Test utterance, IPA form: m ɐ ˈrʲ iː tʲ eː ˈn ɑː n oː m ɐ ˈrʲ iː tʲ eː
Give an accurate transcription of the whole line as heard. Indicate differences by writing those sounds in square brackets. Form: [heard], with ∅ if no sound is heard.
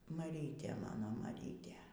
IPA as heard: m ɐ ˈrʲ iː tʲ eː [ˈm] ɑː n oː m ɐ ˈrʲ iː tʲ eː